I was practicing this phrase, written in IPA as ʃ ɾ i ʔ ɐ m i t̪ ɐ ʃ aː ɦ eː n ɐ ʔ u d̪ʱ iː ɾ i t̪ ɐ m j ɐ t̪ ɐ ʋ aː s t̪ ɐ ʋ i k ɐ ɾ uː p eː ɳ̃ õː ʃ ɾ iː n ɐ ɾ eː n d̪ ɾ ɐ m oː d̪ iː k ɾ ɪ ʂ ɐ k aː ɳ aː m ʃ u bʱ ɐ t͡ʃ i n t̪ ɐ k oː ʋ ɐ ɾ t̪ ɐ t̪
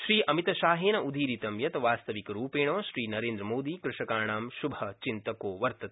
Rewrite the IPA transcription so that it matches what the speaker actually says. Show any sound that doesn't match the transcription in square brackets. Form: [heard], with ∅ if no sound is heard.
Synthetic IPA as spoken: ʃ ɾ [iː] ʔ ɐ m i t̪ ɐ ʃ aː ɦ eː n ɐ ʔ u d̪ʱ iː ɾ i t̪ ɐ m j ɐ t̪ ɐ ʋ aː s t̪ ɐ ʋ i k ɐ ɾ uː p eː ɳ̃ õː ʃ ɾ iː n ɐ ɾ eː n d̪ ɾ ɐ m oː d̪ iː k ɾ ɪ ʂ ɐ k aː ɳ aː m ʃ u bʱ ɐ t͡ʃ i n t̪ ɐ k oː ʋ ɐ ɾ t̪ ɐ t̪

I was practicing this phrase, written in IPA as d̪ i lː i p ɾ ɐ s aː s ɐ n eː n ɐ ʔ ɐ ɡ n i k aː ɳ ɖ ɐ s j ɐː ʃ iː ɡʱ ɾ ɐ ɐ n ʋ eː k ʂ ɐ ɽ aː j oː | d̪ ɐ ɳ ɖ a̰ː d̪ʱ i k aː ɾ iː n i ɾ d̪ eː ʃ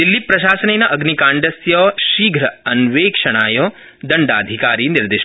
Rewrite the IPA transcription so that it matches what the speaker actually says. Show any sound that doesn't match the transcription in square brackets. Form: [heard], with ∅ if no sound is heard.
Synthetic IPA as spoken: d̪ i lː i p ɾ ɐ [ʃ] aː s ɐ n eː n ɐ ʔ ɐ ɡ n i k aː ɳ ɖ ɐ s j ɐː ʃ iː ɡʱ ɾ ɐ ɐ n ʋ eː k ʂ ɐ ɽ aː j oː | d̪ ɐ ɳ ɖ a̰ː d̪ʱ i k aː ɾ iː n i ɾ d̪ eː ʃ

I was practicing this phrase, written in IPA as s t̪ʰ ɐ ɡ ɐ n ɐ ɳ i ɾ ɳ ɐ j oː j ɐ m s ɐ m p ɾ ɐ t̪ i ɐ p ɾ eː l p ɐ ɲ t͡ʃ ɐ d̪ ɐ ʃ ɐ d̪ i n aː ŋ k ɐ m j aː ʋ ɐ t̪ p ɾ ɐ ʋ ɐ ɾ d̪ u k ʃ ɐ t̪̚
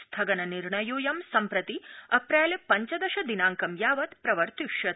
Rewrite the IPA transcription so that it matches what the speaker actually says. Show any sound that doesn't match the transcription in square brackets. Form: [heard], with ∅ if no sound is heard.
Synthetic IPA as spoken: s t̪ʰ ɐ ɡ ɐ n ɐ [n] i ɾ ɳ ɐ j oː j ɐ m s ɐ m p ɾ ɐ t̪ i ɐ p ɾ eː l p ɐ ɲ t͡ʃ ɐ d̪ ɐ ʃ ɐ d̪ i n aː ŋ k ɐ m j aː ʋ ɐ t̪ p ɾ ɐ ʋ ɐ ɾ [t̪] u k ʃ ɐ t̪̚

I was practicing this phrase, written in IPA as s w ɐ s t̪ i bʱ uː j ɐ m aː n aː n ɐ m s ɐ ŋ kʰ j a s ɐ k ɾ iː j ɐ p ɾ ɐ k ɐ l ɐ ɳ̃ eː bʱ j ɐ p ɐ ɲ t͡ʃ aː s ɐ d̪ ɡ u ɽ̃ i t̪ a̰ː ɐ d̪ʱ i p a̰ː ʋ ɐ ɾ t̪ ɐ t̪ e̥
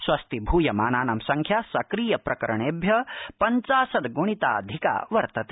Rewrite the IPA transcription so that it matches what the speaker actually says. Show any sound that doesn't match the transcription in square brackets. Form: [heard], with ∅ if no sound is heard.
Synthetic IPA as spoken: s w ɐ s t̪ i bʱ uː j ɐ m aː n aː n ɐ m s ɐ ŋ kʰ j a s ɐ k ɾ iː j ɐ p ɾ ɐ k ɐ [ɾ] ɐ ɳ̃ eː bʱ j ɐ p ɐ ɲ t͡ʃ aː s ɐ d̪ ɡ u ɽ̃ i t̪ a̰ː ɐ d̪ʱ i [k] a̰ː ʋ ɐ ɾ t̪ ɐ t̪ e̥

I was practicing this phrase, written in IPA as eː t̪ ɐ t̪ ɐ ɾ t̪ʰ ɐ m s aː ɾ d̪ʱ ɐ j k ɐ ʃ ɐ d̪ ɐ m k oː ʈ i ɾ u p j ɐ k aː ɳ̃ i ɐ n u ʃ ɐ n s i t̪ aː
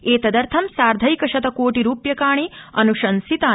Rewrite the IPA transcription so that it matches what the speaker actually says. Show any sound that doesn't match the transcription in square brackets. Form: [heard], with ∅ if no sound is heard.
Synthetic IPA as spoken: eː t̪ ɐ [d̪] ɐ ɾ t̪ʰ ɐ m s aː ɾ d̪ʱ ɐ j k ɐ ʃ ɐ [t̪] ɐ [∅] k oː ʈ i ɾ [uː] p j ɐ k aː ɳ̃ i ɐ n u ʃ ɐ n s i t̪ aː

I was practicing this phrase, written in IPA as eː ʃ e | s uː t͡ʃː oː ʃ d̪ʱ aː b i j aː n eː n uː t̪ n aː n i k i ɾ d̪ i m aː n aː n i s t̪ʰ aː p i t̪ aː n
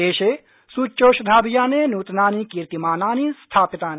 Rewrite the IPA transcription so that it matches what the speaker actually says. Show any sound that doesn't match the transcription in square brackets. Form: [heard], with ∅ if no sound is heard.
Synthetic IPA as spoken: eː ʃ e | s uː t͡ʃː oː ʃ d̪ʱ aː b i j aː n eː n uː t̪ n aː n i k i ɾ [t̪] i m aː n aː n i s t̪ʰ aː p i t̪ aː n

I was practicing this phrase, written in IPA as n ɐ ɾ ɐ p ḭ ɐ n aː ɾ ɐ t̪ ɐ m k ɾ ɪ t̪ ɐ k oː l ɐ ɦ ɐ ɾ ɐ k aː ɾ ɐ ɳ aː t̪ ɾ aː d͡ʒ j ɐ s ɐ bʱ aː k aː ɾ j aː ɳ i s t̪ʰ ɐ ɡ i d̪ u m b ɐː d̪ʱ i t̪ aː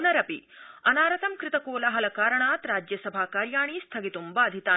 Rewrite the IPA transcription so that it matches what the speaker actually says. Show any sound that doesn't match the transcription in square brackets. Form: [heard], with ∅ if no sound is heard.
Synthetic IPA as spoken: n ɐ ɾ ɐ p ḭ ɐ n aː ɾ ɐ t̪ ɐ m k ɾ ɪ t̪ ɐ k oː l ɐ ɦ ɐ [l] ɐ k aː ɾ ɐ ɳ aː t̪ ɾ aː d͡ʒ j ɐ s ɐ bʱ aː k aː ɾ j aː ɳ i s t̪ʰ ɐ ɡ i [t̪] u m b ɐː d̪ʱ i t̪ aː

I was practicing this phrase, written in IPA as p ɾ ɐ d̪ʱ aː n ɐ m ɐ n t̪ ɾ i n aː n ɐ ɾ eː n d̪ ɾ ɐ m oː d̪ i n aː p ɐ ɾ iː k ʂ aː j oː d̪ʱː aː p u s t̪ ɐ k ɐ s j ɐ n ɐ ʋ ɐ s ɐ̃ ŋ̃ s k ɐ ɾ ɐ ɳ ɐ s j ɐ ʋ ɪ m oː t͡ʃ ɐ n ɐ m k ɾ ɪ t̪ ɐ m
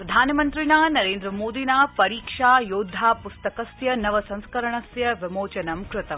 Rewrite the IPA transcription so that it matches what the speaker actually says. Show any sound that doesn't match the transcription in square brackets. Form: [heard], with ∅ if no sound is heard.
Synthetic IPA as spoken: p ɾ ɐ d̪ʱ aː n ɐ m ɐ n t̪ ɾ i n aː n ɐ ɾ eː n d̪ ɾ ɐ m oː d̪ i n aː p ɐ ɾ iː k ʂ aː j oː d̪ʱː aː p u s t̪ ɐ k ɐ s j ɐ n ɐ ʋ ɐ s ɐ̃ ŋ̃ s k ɐ ɾ ɐ ɳ ɐ s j ɐ ʋ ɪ m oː t͡ʃ ɐ n ɐ m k ɾ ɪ t̪ ɐ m

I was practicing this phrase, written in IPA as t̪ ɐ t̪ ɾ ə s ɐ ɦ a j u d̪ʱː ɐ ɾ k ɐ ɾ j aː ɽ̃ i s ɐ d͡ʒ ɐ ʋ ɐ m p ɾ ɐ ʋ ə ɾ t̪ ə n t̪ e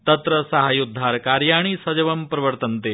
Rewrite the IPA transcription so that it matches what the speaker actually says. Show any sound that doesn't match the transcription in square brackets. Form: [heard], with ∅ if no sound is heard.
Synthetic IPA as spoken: t̪ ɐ t̪ ɾ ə s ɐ ɦ a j u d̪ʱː [a] ɾ k [a] ɾ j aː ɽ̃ i s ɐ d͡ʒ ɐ ʋ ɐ m p ɾ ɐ ʋ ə ɾ t̪ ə n t̪ e

